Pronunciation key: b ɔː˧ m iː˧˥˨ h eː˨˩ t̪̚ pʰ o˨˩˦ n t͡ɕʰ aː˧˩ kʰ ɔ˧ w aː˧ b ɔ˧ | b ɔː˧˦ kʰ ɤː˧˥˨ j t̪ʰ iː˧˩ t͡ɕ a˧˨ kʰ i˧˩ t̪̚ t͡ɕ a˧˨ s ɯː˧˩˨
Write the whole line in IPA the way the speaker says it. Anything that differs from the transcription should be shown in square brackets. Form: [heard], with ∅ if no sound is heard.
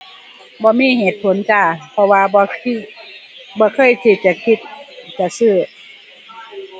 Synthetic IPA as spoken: b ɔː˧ m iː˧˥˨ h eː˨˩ t̪̚ pʰ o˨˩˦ n [t͡ɕ] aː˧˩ [pʰ] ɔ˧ w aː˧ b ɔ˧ | b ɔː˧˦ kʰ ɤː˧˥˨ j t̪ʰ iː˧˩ t͡ɕ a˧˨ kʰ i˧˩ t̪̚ t͡ɕ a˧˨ s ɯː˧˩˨